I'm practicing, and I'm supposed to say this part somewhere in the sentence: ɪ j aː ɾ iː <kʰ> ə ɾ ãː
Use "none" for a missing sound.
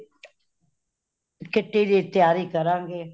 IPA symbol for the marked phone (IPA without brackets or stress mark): k